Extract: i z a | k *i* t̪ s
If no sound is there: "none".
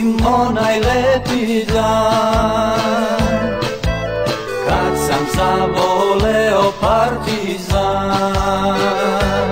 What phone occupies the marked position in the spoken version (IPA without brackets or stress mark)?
a